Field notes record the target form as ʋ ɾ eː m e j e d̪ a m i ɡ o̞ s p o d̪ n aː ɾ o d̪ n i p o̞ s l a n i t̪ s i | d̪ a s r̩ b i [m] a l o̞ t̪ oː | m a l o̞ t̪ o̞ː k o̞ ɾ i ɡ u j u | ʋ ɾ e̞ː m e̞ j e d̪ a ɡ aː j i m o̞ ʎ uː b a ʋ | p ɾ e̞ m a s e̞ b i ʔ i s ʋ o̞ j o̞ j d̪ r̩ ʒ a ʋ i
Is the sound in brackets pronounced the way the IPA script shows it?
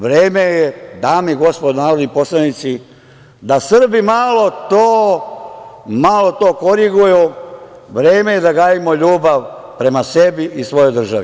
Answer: yes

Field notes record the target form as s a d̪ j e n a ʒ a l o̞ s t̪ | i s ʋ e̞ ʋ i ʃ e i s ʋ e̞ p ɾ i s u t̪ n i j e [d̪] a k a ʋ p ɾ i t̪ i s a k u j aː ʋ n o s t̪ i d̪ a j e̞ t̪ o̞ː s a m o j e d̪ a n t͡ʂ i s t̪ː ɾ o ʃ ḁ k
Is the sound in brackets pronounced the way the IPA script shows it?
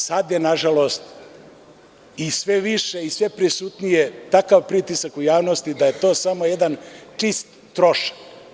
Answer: no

